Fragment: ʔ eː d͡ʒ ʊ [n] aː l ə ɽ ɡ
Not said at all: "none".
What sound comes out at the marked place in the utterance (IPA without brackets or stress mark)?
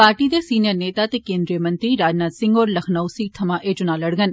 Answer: n